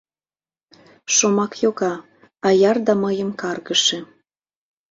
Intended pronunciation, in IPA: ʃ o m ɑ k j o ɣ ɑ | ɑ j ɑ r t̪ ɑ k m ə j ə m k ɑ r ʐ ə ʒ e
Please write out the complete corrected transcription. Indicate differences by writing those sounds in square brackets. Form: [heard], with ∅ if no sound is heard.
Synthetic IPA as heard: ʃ o m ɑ k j o ɣ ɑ | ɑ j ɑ r [d̪] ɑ [∅] m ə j ə m k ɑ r [ɣ] ə [ʃ] e